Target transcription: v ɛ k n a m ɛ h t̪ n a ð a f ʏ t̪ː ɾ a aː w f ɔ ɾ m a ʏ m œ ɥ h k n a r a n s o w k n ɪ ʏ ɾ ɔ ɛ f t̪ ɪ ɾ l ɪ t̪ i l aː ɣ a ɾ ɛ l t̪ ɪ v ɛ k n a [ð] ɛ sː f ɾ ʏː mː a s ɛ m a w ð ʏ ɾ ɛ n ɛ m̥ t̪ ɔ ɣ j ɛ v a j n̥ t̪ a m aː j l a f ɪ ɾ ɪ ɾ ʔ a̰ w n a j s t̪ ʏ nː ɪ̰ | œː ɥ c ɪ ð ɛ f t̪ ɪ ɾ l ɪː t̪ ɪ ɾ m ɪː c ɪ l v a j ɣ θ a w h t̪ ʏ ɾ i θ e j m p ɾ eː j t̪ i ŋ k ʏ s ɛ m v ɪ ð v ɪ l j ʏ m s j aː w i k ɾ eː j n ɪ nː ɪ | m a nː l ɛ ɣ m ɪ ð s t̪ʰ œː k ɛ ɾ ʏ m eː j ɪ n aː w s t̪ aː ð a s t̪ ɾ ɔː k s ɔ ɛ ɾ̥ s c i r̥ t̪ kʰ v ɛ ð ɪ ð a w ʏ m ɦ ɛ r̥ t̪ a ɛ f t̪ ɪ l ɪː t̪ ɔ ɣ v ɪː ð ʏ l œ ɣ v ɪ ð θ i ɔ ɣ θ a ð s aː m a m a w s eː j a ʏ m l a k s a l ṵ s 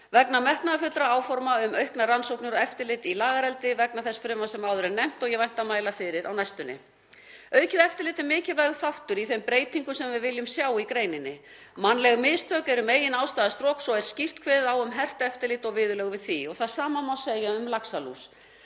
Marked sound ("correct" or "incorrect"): incorrect